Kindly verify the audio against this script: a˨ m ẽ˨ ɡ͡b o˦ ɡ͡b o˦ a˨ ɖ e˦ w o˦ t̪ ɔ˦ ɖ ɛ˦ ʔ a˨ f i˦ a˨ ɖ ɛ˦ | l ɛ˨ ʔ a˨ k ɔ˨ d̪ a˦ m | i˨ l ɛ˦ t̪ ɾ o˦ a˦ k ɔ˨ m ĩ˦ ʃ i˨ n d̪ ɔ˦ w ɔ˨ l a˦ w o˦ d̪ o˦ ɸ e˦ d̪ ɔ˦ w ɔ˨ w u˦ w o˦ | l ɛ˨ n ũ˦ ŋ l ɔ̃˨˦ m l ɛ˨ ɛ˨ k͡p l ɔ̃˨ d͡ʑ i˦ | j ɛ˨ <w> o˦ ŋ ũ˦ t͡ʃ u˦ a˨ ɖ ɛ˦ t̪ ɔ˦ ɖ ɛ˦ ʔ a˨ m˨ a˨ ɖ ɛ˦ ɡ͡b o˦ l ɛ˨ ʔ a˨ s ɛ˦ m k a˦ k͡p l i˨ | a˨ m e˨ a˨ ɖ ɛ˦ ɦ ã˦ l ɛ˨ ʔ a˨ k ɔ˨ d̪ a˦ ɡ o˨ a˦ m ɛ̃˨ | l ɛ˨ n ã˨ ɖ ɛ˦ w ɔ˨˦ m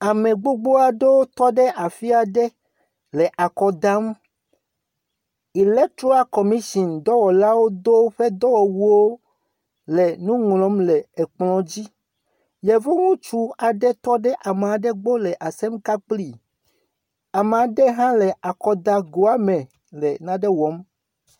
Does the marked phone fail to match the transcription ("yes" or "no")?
yes